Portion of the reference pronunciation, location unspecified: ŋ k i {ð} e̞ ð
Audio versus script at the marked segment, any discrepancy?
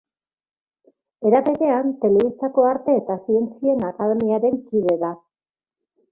no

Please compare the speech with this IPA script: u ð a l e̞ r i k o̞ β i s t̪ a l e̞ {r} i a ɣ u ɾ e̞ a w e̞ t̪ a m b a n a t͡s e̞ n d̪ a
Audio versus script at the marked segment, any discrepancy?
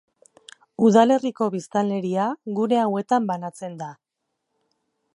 yes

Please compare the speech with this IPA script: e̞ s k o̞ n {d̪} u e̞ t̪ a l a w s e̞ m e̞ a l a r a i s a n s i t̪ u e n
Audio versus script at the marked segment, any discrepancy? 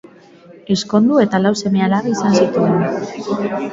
no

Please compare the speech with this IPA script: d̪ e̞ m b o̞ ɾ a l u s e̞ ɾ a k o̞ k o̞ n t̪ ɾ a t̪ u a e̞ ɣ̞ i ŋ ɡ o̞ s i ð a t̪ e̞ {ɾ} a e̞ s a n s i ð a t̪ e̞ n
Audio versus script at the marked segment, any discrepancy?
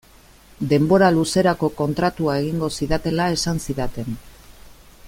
yes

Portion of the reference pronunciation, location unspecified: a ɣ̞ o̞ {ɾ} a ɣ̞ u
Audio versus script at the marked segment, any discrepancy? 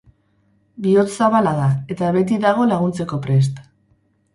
yes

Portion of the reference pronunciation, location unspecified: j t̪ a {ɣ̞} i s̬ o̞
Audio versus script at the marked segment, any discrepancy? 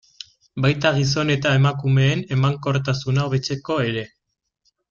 no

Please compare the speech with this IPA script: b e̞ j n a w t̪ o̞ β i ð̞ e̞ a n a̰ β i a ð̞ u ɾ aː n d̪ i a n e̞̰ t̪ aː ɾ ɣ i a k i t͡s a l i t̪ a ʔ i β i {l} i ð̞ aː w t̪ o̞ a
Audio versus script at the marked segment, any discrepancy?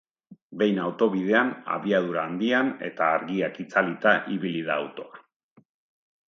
no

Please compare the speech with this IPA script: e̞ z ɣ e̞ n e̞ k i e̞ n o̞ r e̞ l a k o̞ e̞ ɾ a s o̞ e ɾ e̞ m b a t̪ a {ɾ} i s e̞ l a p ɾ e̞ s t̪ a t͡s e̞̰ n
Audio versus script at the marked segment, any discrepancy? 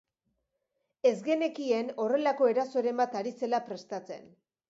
no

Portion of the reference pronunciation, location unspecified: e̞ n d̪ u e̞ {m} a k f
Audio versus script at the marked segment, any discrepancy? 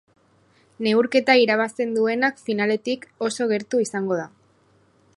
yes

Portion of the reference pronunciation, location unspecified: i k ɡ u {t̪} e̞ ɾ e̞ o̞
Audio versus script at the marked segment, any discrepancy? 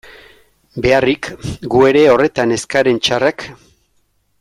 yes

